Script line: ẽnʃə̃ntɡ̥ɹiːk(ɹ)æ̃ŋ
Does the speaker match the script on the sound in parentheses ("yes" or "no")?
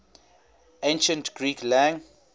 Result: no